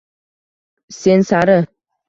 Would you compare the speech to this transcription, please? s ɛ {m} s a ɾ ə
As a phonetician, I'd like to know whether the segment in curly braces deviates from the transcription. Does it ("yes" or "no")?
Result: yes